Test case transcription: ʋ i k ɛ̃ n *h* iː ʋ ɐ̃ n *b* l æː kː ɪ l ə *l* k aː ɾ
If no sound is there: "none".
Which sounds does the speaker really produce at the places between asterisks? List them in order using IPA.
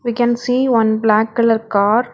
s, b, ɾ

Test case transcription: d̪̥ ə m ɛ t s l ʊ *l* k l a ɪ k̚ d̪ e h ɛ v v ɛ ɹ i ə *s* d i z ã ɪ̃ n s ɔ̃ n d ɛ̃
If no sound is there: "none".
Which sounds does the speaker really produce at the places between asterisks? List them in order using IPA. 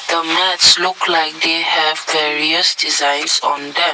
none, s

